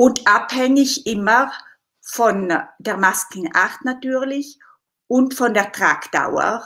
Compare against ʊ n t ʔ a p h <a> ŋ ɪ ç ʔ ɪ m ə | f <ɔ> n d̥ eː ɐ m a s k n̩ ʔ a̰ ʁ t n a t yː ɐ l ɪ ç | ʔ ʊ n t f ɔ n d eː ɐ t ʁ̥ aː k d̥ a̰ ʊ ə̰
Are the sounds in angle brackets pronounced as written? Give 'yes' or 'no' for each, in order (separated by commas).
no, yes